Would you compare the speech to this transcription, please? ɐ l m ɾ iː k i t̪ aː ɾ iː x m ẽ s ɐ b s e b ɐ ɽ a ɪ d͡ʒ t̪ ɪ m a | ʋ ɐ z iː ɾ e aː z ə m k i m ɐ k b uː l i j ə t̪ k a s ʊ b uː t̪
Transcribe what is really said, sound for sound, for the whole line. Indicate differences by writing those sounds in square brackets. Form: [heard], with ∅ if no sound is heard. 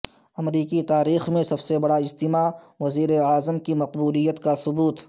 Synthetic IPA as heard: ɐ [∅] m ɾ iː k i t̪ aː ɾ iː x m ẽ s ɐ b s e b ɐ ɽ a ɪ d͡ʒ t̪ ɪ m a | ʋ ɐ z iː ɾ e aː z ə m k i m ɐ [q] b uː l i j ə t̪ k a s ʊ b uː t̪